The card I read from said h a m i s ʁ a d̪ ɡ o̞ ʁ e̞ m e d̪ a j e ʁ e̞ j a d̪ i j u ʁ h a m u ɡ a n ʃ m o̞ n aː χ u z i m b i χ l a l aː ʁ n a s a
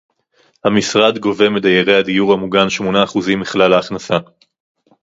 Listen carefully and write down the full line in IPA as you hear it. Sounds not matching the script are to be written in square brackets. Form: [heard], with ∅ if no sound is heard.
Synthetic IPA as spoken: h a m i s ʁ a d̪ ɡ o̞ [v] e̞ m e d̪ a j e ʁ e̞ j a d̪ i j u ʁ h a m u ɡ a n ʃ m o̞ n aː χ u z i m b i χ l a l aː [χ] n a s a